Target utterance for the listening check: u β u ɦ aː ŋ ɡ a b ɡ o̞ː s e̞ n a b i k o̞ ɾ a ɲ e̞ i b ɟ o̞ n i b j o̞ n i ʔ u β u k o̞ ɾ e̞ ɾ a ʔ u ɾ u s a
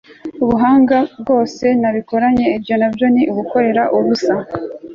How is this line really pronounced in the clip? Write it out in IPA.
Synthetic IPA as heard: u β u ɦ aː ŋ ɡ a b ɡ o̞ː s e̞ n a β i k o̞ ɾ a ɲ e̞ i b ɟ o̞ n a b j o̞ n i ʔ u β u k o̞ ɾ e̞ ɾ a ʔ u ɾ u s a